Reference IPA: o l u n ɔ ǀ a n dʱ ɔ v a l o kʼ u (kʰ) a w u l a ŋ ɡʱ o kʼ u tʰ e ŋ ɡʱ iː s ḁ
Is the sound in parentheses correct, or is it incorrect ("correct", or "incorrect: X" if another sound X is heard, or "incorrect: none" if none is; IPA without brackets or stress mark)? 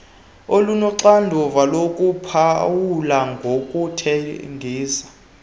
incorrect: pʰ